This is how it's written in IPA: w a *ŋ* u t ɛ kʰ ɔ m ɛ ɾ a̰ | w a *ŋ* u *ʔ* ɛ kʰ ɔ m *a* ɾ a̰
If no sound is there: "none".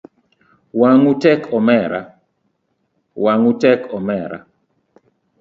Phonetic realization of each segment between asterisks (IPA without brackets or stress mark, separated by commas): ŋ, ŋ, t, ɛ